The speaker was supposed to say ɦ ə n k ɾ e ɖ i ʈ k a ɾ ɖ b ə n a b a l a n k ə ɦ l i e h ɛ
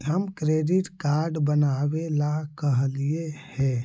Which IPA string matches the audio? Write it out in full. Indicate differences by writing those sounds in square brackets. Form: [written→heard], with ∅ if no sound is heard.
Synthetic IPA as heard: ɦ ə [n→m] k ɾ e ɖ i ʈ k a ɾ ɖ b ə n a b [a→e] l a [n→∅] k ə ɦ l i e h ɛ